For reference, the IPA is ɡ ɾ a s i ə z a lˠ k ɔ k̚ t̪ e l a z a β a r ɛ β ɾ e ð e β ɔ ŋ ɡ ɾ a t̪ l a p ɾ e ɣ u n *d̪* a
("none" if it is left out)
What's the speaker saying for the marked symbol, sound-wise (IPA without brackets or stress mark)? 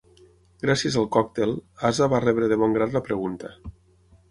t̪